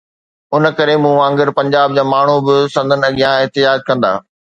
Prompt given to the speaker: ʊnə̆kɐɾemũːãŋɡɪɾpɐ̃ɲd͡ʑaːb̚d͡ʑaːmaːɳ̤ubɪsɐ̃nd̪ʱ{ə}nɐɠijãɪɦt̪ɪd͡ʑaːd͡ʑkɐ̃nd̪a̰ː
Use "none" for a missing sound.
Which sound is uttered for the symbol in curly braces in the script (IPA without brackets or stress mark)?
ə